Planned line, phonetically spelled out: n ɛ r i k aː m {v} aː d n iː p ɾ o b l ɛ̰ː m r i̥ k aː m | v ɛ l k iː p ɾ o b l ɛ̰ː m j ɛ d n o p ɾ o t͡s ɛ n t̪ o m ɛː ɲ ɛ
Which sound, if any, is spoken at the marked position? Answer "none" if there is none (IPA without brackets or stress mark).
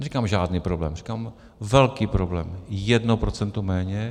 ʒ